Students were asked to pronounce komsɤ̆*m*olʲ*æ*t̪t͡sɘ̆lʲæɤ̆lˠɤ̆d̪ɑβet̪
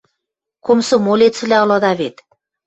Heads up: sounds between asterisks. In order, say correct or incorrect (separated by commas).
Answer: correct, incorrect